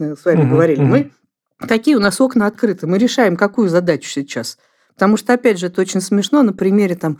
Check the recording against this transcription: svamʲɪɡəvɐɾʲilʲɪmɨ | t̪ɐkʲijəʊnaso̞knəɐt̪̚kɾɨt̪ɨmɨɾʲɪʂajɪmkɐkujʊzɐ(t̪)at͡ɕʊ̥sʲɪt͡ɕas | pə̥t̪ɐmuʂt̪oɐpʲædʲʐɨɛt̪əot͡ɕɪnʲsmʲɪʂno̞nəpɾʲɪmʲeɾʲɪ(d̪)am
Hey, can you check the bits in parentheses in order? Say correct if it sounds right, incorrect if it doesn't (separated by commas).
incorrect, incorrect